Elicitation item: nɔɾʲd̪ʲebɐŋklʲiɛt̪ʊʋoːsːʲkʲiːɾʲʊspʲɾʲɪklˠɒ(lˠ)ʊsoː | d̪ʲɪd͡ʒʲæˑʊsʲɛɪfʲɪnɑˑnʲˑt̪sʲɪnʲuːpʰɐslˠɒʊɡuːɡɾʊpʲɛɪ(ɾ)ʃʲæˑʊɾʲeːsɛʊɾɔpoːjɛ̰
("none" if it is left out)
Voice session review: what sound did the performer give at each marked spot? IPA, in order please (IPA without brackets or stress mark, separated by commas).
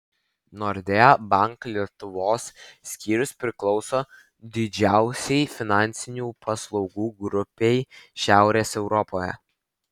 none, none